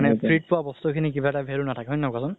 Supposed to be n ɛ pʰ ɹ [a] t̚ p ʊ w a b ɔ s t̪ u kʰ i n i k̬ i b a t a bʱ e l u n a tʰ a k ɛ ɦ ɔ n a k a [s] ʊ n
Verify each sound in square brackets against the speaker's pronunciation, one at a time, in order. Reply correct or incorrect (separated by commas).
incorrect, correct